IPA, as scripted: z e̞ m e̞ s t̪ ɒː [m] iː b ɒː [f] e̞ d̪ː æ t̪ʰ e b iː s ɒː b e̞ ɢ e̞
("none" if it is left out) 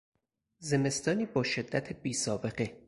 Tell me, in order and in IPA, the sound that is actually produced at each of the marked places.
n, ʃ

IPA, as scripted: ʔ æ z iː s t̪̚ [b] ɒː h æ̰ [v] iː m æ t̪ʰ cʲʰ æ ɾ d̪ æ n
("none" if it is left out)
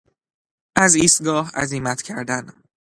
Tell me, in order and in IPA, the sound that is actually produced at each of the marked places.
ɡ, z

